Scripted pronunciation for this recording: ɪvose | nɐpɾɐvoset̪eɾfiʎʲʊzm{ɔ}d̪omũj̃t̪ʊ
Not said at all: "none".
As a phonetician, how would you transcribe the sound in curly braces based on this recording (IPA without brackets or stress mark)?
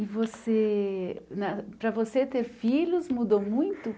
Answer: u